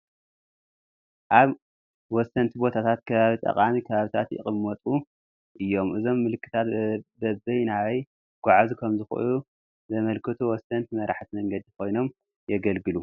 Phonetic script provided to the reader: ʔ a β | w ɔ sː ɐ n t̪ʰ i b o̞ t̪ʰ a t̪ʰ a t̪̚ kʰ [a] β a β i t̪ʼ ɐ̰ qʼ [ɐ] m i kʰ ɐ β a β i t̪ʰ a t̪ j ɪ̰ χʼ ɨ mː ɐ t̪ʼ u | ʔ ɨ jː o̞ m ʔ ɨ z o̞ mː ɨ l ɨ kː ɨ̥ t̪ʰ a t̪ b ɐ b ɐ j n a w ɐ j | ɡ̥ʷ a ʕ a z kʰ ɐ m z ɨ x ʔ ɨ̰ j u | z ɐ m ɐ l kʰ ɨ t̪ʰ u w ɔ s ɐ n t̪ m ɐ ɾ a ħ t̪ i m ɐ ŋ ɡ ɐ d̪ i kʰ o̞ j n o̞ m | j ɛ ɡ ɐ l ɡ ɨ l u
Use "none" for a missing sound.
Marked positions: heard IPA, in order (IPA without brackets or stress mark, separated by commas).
ɐ, a